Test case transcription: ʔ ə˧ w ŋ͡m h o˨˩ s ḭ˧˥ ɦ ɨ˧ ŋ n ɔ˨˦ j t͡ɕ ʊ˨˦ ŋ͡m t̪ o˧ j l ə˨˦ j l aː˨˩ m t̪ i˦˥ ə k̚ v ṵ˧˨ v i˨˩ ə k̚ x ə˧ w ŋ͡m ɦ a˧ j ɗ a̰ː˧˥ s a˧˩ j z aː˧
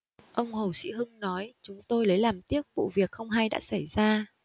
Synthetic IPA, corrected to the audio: ʔ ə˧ w ŋ͡m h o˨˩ s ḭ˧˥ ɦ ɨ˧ ŋ n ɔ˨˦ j t͡ɕ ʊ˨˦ ŋ͡m t̪ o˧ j l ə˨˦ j l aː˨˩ m t̪ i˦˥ ə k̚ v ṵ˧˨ v i˨˩ ə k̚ x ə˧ w ŋ͡m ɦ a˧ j ɗ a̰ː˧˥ s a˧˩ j z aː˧